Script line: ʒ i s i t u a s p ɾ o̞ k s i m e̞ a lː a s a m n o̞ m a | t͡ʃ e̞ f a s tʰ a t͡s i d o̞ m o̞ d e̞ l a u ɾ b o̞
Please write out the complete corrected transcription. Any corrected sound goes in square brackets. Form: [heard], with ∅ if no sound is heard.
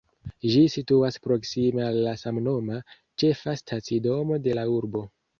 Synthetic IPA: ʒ i s i t u a s p ɾ o̞ k s i m e̞ a lː a s a m n o̞ m a | t͡ʃ e̞ f a s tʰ a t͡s i d o̞ m o̞ d e̞ l a u ɾ b o̞

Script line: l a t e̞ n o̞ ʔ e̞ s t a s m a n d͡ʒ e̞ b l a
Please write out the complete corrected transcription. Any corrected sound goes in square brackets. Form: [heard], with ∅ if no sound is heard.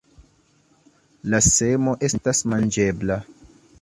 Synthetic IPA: l a [s] e̞ [m] o̞ ʔ e̞ s t a s m a n d͡ʒ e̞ b l a

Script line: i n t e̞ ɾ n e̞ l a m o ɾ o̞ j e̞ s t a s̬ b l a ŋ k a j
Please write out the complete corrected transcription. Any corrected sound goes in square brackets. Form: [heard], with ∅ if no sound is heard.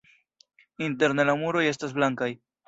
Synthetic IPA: i n t e̞ ɾ n e̞ l a m [u] ɾ o̞ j e̞ s t a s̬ b l a ŋ k a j

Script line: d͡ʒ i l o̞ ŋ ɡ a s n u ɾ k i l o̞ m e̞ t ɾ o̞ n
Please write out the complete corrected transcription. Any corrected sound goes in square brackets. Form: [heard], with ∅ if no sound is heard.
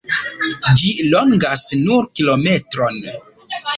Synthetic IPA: d͡ʒ i l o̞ ŋ ɡ a s n u ɾ k i l o̞ m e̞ t ɾ o̞ n

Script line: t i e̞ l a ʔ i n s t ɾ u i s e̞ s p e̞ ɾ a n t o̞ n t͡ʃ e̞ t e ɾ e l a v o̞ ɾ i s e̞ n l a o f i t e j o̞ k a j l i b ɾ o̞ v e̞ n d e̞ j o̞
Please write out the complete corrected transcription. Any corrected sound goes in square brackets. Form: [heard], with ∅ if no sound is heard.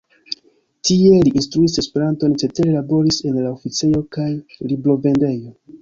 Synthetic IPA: t i e̞ l [i] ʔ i n s t ɾ u i s e̞ s p e̞ ɾ a n t o̞ n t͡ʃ e̞ t e ɾ e l a [b] o̞ ɾ i s e̞ n l a o f i [t͡s] e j o̞ k a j l i b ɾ o̞ v e̞ n d e̞ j o̞

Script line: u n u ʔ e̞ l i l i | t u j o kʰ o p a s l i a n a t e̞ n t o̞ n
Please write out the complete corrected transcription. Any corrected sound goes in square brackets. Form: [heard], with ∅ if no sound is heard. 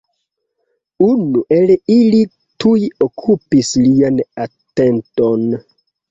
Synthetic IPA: u n u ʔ e̞ l i l i | t u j o kʰ [u] p [i] s l i a n a t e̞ n t o̞ n

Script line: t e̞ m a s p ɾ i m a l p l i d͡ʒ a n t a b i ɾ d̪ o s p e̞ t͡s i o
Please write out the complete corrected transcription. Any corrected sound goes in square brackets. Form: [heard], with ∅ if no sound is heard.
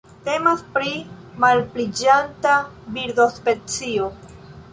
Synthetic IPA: t e̞ m a s p ɾ i m a l p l i d͡ʒ a n t a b i ɾ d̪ o s p e̞ t͡s i o

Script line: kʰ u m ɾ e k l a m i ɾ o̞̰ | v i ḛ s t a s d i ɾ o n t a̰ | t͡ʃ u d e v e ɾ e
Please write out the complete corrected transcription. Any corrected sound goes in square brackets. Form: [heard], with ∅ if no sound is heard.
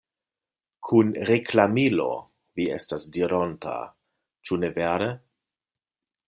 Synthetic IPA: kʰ u [n] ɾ e k l a m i [l] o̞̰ | v i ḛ s t a s d i ɾ o n t a̰ | t͡ʃ u [n] e v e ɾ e

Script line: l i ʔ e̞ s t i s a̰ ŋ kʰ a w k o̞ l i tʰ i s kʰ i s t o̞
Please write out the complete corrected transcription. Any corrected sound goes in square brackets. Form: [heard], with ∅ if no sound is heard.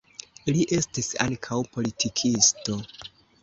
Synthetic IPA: l i ʔ e̞ s t i s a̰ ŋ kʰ a w [p] o̞ l i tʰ i [∅] kʰ i s t o̞

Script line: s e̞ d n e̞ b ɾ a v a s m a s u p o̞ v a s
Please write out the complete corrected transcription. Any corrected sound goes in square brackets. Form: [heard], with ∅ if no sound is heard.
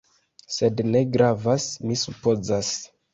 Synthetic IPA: s e̞ d n e̞ [ɡ] ɾ a v a s m [i] s u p o̞ [z] a s

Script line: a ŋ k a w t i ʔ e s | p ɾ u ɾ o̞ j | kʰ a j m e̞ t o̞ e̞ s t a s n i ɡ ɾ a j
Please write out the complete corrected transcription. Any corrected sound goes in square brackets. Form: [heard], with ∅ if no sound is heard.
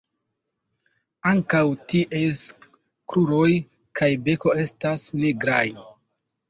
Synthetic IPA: a ŋ k a w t i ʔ e s | [k] ɾ u ɾ o̞ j | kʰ a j [b] e̞ [k] o̞ e̞ s t a s n i ɡ ɾ a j

